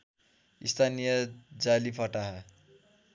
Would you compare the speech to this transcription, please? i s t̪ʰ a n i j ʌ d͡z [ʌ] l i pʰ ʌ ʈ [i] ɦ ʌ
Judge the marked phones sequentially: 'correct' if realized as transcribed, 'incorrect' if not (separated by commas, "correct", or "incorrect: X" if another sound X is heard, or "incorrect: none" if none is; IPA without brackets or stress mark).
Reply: incorrect: a, incorrect: a